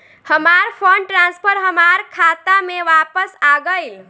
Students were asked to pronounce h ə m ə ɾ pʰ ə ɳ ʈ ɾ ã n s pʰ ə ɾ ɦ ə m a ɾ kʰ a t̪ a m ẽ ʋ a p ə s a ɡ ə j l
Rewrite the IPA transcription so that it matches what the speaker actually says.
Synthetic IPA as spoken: h ə m a ɾ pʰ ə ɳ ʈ ɾ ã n s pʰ ə ɾ ɦ ə m a ɾ kʰ a t̪ a m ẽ ʋ a p ə s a ɡ ə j l